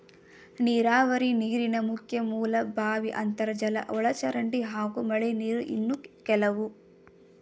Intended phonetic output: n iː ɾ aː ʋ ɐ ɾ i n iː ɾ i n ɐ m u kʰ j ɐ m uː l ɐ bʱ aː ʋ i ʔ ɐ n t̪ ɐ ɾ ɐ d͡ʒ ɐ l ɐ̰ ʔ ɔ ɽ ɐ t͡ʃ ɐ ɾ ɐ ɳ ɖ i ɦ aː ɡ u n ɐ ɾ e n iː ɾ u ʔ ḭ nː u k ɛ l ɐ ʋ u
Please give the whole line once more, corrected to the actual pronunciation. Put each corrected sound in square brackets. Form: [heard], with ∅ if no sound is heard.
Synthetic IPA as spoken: n iː ɾ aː ʋ ɐ ɾ i n iː ɾ i n ɐ m u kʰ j ɐ m uː l ɐ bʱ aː ʋ i ʔ ɐ n t̪ ɐ ɾ ɐ d͡ʒ ɐ l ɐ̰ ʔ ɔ [ɭ] ɐ t͡ʃ ɐ ɾ ɐ ɳ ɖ i ɦ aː ɡ u [m] ɐ [ɭ] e n iː ɾ u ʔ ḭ nː u k ɛ l ɐ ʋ u